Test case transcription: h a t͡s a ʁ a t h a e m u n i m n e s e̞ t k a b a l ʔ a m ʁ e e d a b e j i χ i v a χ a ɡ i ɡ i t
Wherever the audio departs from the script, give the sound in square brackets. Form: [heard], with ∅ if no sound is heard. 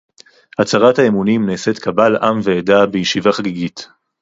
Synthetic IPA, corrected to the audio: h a t͡s a ʁ a t h a e m u n i m n e s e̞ t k a b a l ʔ a m [v] e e d a b e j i [ʃ] i v a χ a ɡ i ɡ i t

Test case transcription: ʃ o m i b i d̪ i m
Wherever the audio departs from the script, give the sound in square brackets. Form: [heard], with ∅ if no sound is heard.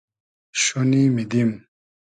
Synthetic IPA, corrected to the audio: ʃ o [n] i [m] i d̪ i m

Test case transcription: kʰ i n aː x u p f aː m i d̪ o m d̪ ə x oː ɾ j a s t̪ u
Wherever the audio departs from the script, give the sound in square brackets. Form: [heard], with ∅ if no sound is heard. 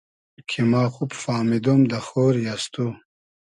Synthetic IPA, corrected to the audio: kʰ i [m] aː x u p f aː m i d̪ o m d̪ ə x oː ɾ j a s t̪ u

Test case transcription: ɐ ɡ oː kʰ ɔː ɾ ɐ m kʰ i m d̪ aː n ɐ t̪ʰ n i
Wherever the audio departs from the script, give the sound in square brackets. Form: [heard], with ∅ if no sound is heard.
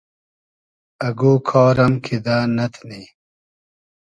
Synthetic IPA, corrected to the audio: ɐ ɡ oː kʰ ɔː ɾ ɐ m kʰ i [∅] d̪ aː n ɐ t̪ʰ n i

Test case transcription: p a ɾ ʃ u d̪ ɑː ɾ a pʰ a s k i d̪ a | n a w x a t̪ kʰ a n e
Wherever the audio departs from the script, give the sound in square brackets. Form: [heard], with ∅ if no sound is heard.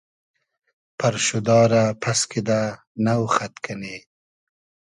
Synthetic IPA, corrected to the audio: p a ɾ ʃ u d̪ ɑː ɾ a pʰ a s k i d̪ a | n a w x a t̪ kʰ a n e

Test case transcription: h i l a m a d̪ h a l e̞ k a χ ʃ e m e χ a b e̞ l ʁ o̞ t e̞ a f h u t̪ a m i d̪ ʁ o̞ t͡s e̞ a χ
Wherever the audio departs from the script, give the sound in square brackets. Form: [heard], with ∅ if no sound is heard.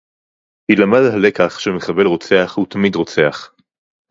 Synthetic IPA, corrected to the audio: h i l a m a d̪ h a l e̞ k a χ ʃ e m e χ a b e̞ l ʁ o̞ [t͡s] e̞ a [χ] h u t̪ a m i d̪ ʁ o̞ t͡s e̞ a χ

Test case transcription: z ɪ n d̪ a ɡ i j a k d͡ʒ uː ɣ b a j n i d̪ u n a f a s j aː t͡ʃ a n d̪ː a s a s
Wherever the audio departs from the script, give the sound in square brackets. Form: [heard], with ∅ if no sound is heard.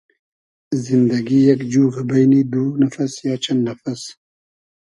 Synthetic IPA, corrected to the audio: z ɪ n d̪ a ɡ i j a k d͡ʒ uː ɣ b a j n i d̪ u n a f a s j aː t͡ʃ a n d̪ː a [f] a s

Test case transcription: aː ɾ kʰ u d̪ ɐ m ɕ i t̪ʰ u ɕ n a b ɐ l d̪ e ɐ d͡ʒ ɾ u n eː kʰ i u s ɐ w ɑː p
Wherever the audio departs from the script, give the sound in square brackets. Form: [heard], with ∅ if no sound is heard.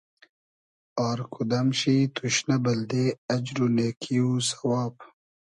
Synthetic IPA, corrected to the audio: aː ɾ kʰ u d̪ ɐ m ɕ i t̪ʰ u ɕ n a b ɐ l d̪ e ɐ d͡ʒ ɾ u n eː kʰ i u s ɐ w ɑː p

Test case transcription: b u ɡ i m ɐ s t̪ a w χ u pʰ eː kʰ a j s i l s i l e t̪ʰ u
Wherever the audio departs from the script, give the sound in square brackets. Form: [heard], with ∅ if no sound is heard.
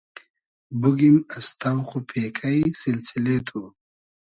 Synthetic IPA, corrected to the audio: b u ɡ i m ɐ s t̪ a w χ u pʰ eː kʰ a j s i l s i l e t̪ʰ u

